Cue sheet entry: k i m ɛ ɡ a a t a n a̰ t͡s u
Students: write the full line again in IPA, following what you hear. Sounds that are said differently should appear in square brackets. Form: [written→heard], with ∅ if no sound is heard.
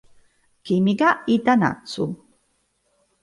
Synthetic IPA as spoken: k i m [ɛ→i] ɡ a [a→i] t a n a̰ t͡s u